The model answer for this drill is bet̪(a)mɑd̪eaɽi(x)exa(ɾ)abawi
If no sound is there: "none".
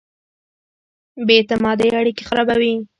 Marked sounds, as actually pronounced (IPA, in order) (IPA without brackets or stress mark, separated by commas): a, k, ɾ